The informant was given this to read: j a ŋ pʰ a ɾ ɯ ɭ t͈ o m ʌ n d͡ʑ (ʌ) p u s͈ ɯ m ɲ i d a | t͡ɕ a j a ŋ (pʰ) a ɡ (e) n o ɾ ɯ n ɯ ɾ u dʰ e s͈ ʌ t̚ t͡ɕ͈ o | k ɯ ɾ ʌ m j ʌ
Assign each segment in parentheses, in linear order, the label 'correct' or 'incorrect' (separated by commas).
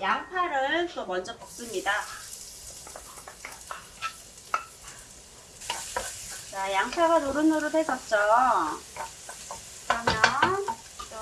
correct, correct, incorrect